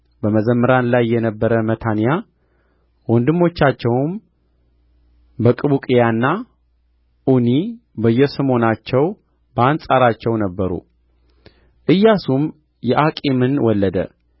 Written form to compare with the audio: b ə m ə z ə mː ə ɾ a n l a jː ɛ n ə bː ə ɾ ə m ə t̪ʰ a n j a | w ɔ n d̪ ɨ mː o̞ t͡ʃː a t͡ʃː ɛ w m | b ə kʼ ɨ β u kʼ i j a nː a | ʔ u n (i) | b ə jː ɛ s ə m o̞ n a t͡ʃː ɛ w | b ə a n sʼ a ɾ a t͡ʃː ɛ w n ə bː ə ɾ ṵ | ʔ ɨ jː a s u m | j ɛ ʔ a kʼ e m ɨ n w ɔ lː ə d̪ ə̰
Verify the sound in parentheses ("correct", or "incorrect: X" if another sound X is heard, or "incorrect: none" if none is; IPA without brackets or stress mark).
correct